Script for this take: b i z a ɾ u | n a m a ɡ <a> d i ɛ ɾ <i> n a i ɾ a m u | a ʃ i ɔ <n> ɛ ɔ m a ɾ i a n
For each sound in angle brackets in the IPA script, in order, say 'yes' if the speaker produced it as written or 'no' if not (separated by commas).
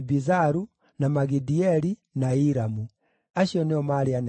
no, yes, yes